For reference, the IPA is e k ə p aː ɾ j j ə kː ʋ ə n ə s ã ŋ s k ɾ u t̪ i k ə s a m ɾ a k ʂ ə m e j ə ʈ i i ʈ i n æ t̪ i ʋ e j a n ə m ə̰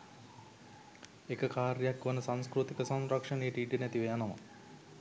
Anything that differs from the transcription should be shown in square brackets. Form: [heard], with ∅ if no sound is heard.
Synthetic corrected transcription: e k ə [k] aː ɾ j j [a] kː ʋ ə n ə s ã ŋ s k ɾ u t̪ i k ə s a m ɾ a k ʂ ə [n] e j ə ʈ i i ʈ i n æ t̪ i ʋ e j a n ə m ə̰